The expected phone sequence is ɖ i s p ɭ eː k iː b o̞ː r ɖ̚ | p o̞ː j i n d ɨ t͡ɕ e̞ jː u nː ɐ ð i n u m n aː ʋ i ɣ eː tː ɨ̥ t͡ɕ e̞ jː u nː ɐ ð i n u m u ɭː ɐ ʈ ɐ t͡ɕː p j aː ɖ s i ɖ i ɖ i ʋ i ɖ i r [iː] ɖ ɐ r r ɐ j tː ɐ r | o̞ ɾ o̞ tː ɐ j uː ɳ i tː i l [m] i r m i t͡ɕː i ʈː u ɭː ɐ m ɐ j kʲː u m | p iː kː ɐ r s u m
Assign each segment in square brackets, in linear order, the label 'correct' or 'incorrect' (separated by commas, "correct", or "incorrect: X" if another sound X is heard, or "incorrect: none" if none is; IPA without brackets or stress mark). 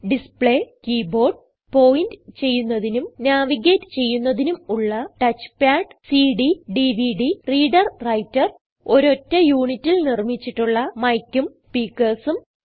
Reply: correct, incorrect: n